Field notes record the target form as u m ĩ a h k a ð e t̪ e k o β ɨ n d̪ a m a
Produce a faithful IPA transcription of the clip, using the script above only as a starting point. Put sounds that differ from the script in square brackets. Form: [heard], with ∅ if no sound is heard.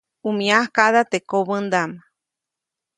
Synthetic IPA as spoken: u m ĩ a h k a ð [a] t̪ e k o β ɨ n d̪ a m a